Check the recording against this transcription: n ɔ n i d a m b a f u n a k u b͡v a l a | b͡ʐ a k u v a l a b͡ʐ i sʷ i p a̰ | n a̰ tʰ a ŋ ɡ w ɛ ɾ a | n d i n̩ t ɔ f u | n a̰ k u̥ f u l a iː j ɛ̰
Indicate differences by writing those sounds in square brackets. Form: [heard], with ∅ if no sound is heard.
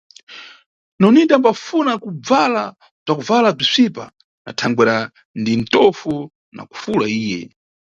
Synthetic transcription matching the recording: n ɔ n i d a m b a f u n a k u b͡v a l a | b͡ʐ a k u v a l a b͡ʐ i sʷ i p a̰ | n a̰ tʰ a ŋ ɡ w ɛ ɾ a | n d i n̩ t ɔ f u | n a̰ k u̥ f u l a iː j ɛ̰